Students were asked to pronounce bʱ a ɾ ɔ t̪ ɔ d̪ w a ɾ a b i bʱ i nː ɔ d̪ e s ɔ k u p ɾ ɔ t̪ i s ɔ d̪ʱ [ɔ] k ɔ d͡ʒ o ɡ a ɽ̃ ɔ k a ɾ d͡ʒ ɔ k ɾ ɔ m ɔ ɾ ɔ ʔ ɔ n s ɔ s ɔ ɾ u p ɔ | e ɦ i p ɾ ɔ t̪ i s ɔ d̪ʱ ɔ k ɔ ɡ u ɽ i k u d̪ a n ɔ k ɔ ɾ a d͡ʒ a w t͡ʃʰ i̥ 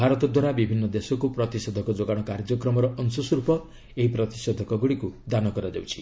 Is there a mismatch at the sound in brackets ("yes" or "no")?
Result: no